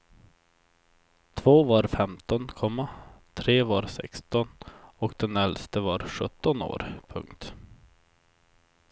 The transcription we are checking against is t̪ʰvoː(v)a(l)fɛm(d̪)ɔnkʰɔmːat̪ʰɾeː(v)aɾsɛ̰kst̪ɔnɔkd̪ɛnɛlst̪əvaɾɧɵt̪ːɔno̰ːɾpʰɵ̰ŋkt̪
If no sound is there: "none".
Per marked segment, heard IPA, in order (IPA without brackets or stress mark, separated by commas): v, ɾ, t̪, v